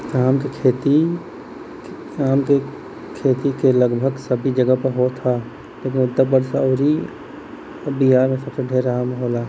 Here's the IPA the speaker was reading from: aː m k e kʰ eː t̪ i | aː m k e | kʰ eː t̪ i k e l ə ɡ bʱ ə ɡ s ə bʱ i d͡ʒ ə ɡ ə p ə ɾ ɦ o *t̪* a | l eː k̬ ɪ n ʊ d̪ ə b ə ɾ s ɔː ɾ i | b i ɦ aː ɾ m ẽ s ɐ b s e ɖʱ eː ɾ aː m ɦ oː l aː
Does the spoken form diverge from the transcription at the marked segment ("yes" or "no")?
yes